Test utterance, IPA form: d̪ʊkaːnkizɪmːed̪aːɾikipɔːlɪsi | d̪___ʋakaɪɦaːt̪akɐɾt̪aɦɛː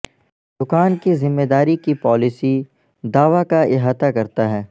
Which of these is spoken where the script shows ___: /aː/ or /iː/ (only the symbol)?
aː